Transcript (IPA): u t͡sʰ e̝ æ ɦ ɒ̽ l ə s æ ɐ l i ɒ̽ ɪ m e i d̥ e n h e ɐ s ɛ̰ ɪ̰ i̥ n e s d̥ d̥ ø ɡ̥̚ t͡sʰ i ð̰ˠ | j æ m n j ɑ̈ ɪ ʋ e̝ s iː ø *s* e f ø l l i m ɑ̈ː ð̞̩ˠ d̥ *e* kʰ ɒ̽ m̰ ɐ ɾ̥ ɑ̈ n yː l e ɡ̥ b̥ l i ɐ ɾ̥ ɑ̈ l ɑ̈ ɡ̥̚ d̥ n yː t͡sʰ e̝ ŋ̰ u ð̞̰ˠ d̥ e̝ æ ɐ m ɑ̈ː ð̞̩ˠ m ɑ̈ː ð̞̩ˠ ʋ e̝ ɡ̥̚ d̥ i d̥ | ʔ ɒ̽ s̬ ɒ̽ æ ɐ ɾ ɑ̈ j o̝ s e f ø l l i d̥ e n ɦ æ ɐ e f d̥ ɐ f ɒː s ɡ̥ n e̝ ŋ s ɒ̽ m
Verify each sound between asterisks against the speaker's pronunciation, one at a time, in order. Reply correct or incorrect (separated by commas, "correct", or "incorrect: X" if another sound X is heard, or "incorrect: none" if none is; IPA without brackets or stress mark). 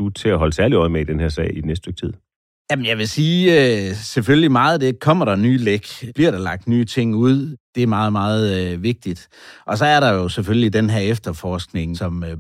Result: correct, correct